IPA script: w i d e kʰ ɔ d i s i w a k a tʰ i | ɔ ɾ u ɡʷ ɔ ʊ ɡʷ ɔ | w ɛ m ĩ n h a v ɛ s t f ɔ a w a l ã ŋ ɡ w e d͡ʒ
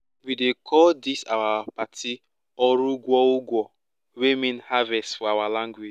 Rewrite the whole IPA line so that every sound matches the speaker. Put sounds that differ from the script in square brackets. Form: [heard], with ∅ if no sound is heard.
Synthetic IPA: w i d e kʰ ɔ d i s [a] w a [p] a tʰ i | ɔ ɾ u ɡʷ ɔ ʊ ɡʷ ɔ | w [e] m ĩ n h a v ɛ s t f ɔ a w a l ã ŋ ɡ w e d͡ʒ